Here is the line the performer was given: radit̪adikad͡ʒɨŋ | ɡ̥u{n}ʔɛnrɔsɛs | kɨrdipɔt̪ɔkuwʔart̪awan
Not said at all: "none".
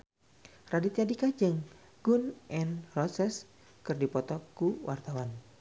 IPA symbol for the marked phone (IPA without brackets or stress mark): n